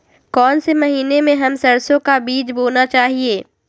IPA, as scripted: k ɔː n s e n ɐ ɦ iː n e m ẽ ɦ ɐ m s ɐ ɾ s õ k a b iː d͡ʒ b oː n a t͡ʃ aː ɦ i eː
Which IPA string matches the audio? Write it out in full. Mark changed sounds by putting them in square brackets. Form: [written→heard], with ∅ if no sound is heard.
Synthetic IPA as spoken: k ɔː n s e [n→m] ɐ ɦ iː n e m ẽ ɦ ɐ m s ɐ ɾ s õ k a b iː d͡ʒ b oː n a t͡ʃ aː ɦ i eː